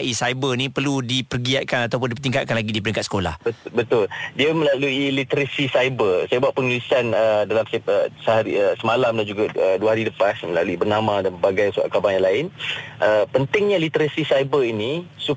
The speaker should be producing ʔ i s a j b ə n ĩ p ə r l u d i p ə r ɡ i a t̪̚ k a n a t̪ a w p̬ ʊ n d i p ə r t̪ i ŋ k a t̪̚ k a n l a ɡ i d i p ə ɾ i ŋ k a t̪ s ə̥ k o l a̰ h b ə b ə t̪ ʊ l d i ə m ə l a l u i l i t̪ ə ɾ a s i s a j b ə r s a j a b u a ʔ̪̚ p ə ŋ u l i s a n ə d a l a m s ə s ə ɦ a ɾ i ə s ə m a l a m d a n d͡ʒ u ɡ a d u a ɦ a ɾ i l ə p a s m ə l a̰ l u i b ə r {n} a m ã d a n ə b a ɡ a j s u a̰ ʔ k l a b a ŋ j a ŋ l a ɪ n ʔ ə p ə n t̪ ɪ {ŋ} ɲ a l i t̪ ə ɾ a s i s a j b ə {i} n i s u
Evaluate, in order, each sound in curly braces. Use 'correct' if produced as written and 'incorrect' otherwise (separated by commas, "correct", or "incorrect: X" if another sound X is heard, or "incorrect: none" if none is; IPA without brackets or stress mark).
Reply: correct, correct, correct